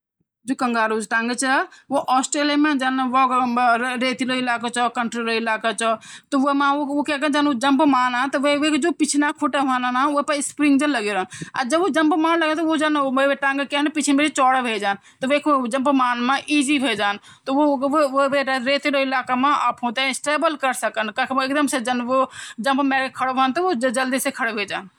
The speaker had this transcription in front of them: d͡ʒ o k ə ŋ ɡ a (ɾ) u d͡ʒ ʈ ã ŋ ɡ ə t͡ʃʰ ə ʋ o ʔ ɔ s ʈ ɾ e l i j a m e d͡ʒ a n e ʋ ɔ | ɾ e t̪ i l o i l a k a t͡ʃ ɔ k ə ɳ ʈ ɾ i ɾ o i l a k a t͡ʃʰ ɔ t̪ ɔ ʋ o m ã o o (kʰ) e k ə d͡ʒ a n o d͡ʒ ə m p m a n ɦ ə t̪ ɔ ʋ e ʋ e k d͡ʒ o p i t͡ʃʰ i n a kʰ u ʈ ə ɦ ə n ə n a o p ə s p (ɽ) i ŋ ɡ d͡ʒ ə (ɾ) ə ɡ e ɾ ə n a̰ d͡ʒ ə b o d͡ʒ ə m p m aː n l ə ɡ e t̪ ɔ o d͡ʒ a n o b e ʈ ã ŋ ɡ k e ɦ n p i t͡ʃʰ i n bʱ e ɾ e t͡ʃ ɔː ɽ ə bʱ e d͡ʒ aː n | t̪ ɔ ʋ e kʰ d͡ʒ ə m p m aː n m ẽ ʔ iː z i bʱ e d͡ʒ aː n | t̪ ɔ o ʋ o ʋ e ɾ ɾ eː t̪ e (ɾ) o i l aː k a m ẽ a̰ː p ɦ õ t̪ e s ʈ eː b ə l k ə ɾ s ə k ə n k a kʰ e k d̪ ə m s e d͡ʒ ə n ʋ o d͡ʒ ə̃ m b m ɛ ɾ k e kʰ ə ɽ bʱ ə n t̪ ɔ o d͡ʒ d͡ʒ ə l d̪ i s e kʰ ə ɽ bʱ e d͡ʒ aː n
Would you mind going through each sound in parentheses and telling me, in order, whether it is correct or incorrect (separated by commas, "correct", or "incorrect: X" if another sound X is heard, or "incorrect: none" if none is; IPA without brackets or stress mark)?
correct, incorrect: k, incorrect: ɾ, incorrect: l, correct